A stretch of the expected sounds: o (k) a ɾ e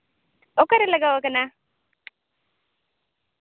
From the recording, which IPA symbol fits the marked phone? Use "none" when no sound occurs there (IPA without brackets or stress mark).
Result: k